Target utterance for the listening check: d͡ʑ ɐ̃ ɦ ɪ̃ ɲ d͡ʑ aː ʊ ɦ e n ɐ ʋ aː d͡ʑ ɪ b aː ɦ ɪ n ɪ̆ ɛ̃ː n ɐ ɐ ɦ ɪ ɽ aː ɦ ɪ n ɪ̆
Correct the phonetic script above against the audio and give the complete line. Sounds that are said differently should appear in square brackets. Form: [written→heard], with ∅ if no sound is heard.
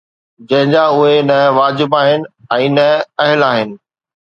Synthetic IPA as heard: d͡ʑ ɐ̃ ɦ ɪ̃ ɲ d͡ʑ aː ʊ ɦ e n ɐ ʋ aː d͡ʑ ɪ b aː ɦ ɪ n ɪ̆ ɛ̃ː n ɐ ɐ ɦ ɪ [ɽ→l] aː ɦ ɪ n ɪ̆